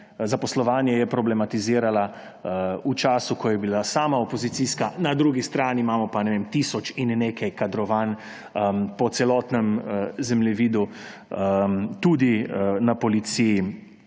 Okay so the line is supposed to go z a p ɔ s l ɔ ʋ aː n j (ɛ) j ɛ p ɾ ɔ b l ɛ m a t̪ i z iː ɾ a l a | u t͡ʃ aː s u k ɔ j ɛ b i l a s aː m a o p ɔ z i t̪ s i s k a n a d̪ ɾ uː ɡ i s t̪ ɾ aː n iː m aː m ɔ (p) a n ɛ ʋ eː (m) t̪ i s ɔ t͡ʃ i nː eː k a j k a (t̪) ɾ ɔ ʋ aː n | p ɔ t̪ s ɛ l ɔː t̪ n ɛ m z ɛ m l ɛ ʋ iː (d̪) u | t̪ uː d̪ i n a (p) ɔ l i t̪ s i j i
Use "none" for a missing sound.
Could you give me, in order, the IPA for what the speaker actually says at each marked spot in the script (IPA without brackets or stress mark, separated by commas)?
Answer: ɛ, p, m, d̪, d̪, p